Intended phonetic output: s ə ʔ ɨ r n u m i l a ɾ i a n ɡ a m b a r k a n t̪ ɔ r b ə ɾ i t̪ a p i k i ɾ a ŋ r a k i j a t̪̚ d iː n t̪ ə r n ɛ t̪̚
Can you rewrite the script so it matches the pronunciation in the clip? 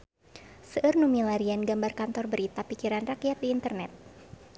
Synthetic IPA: s ə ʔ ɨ r n u m i l a ɾ i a n ɡ a m b a r k a n t̪ ɔ r b ə ɾ i t̪ a p i k i ɾ a n r a k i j a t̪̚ d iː n t̪ ə r n ɛ t̪̚